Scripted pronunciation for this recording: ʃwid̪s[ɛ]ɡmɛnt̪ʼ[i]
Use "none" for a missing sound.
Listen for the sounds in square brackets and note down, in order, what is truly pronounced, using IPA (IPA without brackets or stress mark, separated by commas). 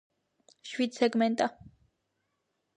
ɛ, a